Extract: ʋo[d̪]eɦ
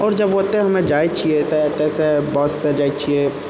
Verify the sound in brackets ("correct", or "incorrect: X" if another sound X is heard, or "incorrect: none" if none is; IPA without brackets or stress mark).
incorrect: t̪